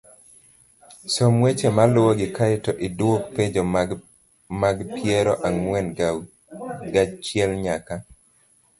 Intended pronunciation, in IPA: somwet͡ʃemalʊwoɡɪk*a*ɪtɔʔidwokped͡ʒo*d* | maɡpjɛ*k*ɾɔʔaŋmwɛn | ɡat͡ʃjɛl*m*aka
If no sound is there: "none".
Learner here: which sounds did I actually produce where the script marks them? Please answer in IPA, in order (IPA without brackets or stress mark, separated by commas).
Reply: a, none, none, ɲ